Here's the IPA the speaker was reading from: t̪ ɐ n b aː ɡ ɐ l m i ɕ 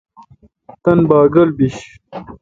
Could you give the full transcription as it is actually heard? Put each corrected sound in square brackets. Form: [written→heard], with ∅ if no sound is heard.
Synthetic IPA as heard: t̪ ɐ n b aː ɡ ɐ l [m→b] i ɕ

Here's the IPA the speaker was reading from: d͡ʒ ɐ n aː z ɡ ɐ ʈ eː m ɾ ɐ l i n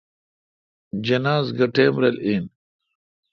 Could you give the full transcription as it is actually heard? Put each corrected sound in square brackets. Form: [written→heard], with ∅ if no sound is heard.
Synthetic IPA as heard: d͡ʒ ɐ n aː z ɡ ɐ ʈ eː m ɾ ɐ l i n

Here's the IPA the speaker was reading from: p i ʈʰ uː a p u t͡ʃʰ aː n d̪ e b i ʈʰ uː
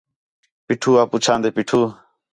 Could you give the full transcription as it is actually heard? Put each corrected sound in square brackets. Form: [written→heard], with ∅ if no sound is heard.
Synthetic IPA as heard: p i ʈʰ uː a p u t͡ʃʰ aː n d̪ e [b→p] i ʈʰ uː

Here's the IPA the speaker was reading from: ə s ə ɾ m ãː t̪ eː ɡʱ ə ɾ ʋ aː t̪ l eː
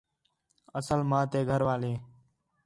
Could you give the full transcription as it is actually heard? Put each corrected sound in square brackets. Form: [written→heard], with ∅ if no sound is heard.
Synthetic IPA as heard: ə s ə [ɾ→l] m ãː t̪ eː ɡʱ ə ɾ ʋ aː [t̪→∅] l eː

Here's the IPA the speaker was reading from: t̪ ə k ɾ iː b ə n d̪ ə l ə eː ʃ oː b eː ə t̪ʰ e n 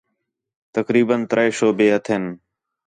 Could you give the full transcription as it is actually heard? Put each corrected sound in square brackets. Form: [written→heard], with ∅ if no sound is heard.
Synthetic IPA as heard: t̪ ə k ɾ iː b ə n [d̪→t̪] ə [l→ɾ] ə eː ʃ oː b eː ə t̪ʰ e n

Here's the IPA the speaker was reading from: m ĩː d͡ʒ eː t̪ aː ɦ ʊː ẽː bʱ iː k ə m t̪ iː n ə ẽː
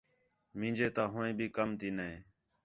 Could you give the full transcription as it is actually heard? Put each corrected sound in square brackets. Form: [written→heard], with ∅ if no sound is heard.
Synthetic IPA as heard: m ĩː d͡ʒ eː t̪ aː ɦ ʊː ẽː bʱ iː k ə m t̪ iː n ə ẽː

